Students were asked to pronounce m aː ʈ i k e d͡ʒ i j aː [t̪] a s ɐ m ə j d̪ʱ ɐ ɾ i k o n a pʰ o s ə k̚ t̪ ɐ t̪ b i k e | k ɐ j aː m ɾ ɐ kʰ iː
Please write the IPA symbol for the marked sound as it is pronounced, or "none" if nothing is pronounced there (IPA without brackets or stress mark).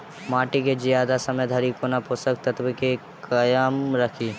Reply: d̪